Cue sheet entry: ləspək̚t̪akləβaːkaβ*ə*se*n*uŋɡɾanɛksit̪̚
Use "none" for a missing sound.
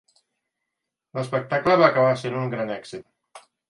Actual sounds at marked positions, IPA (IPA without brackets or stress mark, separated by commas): a, n